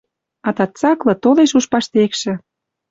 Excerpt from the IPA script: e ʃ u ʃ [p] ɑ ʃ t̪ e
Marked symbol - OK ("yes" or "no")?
yes